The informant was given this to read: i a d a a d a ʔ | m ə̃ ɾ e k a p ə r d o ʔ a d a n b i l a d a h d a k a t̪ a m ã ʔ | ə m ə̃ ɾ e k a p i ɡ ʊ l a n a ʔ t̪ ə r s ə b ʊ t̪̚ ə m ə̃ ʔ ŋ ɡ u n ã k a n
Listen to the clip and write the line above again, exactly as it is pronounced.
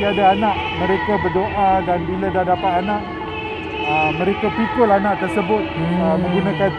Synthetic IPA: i a d a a n a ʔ | m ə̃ ɾ e k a b ə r d o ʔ a d a n b i l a d a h d a p a t̪ a n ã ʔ | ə m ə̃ ɾ e k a p i k ʊ l a n a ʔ t̪ ə r s ə b ʊ t̪̚ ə m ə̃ ŋ ɡ u n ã k a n